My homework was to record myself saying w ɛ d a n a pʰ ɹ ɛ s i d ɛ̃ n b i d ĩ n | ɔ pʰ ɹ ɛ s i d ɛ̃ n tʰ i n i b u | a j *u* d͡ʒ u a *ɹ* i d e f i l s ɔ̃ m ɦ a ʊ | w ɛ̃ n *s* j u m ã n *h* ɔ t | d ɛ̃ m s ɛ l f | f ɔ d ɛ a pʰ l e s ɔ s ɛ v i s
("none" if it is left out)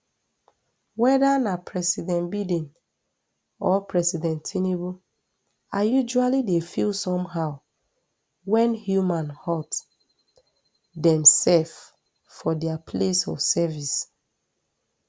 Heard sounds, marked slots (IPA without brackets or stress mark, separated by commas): u, l, h, h